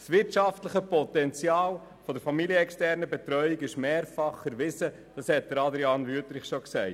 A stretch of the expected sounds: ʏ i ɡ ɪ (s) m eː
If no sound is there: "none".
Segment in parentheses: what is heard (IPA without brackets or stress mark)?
ʃ